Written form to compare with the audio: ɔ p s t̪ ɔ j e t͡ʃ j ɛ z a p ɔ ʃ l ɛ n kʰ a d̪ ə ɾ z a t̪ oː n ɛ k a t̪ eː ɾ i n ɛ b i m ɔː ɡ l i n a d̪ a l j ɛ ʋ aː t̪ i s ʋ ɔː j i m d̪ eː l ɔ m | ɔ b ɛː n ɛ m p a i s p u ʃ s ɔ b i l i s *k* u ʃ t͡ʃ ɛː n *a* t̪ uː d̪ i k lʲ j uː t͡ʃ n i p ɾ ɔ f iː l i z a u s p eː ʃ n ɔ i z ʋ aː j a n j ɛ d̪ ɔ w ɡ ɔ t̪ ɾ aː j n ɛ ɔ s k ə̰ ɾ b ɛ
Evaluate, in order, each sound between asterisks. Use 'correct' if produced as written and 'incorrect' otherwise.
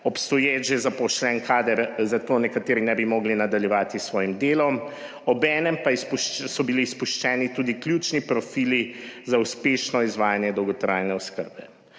incorrect, incorrect

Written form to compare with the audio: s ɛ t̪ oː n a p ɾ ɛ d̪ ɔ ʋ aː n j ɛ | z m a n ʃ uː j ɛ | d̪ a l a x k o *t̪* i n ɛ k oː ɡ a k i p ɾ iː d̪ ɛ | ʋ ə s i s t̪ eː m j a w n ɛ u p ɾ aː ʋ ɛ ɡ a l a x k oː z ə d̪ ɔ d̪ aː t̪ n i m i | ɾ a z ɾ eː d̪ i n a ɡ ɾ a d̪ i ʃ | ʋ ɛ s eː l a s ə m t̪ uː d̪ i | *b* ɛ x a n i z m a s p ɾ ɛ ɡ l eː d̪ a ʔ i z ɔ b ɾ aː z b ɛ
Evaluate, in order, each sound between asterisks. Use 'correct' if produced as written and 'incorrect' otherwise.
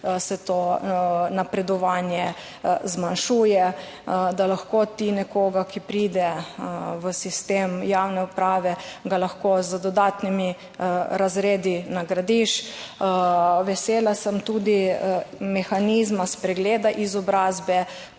correct, incorrect

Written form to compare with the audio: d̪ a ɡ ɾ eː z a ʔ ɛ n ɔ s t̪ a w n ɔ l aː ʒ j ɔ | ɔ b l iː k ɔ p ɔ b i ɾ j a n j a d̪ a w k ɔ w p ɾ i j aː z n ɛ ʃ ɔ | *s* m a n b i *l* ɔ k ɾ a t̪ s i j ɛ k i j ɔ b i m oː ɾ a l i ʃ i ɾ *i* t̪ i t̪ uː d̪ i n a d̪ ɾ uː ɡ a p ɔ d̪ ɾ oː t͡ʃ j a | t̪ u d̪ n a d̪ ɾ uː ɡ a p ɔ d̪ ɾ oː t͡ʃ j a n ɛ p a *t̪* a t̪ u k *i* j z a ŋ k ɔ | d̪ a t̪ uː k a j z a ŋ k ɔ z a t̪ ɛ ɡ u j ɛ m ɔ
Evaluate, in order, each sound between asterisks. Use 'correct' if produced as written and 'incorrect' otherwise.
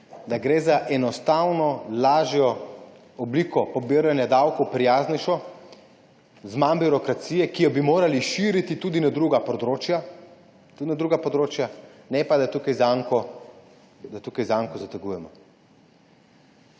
incorrect, incorrect, correct, incorrect, incorrect

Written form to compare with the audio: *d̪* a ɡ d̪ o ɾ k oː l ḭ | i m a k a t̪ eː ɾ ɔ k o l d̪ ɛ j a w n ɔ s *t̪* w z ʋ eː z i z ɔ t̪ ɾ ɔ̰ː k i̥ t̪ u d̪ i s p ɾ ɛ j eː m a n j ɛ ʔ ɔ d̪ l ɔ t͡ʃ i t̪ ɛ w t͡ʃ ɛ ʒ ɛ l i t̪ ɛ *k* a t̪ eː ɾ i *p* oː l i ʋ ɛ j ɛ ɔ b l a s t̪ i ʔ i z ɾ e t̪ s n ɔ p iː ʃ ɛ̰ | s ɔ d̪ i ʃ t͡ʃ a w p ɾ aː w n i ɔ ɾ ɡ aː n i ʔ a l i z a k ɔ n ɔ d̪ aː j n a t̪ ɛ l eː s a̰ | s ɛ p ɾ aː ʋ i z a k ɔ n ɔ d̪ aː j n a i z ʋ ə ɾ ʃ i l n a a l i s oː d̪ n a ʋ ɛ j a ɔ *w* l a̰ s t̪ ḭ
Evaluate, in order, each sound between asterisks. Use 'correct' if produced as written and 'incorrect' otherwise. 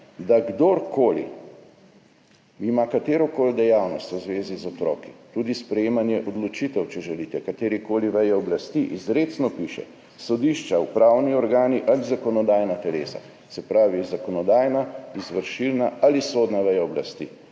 correct, correct, correct, incorrect, incorrect

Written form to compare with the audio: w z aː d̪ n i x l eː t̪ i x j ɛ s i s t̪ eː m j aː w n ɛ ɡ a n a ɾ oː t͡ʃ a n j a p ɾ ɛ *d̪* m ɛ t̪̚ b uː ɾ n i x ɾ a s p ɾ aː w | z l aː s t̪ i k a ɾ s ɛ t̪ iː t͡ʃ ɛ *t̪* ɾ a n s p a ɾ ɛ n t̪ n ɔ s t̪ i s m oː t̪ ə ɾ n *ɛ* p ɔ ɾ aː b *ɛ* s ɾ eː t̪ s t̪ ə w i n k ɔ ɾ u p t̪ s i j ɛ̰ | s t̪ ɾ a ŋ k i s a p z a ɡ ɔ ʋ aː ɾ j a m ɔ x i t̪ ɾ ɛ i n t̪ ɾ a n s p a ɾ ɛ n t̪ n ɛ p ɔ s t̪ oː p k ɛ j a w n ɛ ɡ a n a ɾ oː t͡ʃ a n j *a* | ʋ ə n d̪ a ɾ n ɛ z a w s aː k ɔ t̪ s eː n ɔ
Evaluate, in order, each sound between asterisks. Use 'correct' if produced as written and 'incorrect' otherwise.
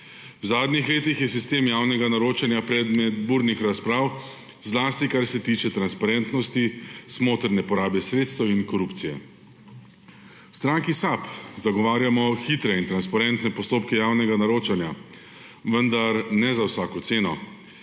correct, correct, correct, correct, correct

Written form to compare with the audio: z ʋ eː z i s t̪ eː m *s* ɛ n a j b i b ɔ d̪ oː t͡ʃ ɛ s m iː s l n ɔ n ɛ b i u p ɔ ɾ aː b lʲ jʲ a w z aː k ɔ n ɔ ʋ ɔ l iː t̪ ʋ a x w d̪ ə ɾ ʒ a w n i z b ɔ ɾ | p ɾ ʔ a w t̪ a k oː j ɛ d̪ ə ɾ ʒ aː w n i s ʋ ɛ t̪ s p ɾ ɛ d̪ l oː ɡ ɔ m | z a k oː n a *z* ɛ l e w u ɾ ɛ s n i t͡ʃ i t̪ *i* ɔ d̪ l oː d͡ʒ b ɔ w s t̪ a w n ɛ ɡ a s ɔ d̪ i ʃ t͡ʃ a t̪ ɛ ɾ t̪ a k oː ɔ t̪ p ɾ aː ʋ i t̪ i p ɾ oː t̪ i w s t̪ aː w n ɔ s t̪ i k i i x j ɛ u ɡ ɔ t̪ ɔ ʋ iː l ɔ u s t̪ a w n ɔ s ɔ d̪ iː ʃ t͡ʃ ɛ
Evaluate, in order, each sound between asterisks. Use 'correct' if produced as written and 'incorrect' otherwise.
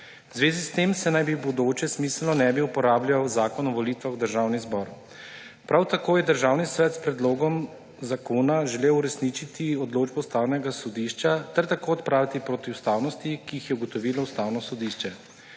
correct, incorrect, correct

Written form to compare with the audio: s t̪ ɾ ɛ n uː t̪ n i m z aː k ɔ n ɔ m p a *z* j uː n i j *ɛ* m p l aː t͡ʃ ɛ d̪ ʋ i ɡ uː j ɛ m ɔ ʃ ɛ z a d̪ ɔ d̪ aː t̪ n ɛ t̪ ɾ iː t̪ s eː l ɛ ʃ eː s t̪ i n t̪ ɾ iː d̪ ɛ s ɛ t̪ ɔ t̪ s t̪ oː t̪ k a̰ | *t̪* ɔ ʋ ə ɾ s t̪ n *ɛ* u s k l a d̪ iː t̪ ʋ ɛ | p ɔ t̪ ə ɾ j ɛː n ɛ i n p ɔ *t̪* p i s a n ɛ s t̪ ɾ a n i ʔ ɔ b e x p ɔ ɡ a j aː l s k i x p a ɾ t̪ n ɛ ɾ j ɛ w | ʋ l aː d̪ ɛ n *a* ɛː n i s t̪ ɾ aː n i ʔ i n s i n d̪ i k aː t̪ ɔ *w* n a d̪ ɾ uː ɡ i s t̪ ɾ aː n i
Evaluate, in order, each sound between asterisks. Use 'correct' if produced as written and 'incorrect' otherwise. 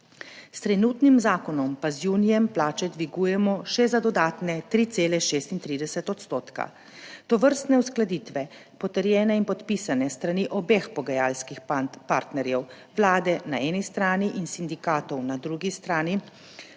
correct, correct, correct, correct, correct, correct, correct

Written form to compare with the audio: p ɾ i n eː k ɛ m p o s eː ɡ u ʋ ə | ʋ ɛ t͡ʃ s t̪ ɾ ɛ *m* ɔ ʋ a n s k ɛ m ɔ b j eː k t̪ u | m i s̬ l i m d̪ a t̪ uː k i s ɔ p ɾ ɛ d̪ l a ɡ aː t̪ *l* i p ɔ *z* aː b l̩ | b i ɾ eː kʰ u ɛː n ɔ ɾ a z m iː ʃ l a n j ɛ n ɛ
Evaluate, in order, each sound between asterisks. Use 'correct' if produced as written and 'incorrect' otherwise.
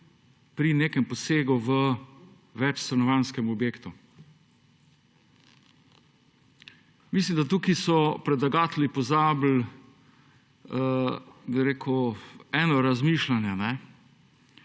incorrect, correct, correct

